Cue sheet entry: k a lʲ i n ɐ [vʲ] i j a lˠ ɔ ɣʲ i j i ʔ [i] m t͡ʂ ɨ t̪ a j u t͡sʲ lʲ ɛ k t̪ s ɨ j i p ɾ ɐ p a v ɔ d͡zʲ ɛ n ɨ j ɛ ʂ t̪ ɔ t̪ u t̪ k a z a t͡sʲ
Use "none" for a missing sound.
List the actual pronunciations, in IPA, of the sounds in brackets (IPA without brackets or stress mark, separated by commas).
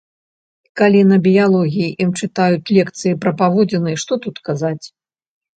bʲ, i